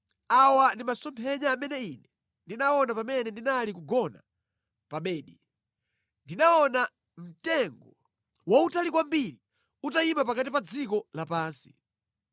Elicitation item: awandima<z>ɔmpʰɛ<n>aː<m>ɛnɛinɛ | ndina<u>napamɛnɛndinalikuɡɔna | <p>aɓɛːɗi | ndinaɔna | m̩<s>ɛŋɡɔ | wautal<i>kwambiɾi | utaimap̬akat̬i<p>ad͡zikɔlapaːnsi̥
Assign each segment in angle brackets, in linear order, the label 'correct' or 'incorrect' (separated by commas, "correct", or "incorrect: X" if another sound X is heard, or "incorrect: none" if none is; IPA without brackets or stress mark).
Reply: incorrect: s, incorrect: ɲ, correct, incorrect: ɔ, correct, incorrect: t, correct, correct